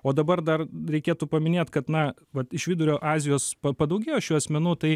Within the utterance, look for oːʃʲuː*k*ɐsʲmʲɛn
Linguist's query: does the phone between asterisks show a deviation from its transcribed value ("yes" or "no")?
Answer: yes